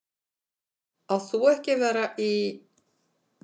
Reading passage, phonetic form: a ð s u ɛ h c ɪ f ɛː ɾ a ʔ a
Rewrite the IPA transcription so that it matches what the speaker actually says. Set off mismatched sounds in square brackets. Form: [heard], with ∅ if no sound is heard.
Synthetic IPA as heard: a ð [θ] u ɛ h c ɪ [v] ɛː ɾ a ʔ [i]